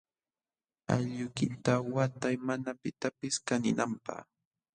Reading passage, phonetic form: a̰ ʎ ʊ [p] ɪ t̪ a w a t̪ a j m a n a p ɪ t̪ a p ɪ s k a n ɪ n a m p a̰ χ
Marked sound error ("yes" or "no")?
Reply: yes